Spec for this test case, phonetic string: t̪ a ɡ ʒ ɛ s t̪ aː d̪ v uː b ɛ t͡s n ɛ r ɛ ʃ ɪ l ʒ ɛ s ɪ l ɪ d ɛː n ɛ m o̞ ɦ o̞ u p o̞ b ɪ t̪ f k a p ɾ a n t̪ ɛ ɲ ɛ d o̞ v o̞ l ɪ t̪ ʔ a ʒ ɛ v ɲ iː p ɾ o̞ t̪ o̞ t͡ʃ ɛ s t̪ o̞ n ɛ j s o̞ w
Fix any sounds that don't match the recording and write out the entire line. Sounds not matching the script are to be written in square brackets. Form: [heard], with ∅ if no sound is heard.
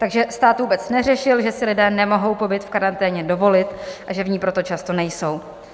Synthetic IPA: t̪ a ɡ ʒ ɛ s t̪ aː [t̪] v uː b ɛ t͡s n ɛ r ɛ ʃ ɪ l ʒ ɛ s ɪ l ɪ d ɛː n ɛ m o̞ ɦ o̞ [w] p o̞ b ɪ t̪ f k a [∅] ɾ a n t̪ [ɛː] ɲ ɛ d o̞ v o̞ l ɪ t̪ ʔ a ʒ ɛ v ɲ iː p ɾ o̞ t̪ o̞ t͡ʃ [a] s t̪ o̞ n ɛ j s o̞ w